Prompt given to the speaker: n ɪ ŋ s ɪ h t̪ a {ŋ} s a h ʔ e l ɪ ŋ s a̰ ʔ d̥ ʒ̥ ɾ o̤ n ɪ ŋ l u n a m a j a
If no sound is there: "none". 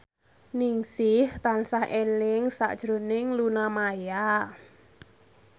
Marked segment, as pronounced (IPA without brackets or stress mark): n